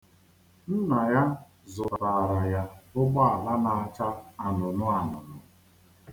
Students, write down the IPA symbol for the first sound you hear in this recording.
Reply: n̩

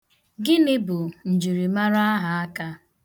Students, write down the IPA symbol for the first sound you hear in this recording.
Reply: ɡ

